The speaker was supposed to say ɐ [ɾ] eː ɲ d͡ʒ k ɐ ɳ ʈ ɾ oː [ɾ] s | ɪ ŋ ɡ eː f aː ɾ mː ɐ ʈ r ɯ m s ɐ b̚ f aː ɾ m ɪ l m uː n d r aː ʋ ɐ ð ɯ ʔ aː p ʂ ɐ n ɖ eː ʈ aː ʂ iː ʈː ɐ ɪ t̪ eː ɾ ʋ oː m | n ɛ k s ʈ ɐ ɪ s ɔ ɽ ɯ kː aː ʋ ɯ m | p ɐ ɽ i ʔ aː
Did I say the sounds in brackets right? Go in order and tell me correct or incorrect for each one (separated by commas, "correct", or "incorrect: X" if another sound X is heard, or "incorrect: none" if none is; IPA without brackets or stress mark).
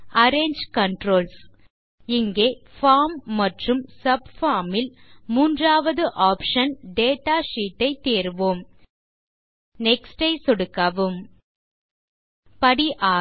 correct, incorrect: l